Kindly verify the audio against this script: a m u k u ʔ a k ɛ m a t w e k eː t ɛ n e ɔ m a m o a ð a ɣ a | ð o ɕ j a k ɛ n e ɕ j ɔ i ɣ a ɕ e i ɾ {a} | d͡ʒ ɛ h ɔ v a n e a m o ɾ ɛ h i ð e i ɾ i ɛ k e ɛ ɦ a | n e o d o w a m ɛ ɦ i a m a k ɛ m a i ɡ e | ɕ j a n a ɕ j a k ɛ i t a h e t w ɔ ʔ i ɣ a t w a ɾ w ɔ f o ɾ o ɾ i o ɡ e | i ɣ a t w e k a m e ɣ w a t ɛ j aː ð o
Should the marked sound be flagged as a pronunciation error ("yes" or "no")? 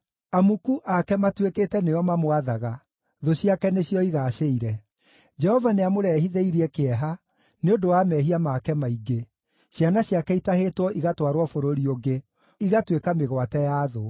yes